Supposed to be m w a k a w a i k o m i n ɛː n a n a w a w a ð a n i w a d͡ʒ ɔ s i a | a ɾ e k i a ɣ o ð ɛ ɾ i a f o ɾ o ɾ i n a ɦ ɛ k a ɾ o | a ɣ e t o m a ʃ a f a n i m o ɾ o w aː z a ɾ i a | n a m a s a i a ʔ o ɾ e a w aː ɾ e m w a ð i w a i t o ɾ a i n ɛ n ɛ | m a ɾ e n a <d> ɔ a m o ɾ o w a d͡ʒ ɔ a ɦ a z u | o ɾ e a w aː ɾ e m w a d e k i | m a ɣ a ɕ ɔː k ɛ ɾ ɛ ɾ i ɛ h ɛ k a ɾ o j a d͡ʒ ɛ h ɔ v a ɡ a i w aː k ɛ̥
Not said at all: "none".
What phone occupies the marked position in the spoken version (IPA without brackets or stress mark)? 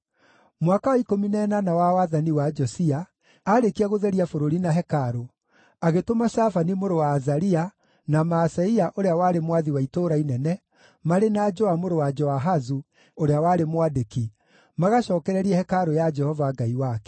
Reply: d͡ʒ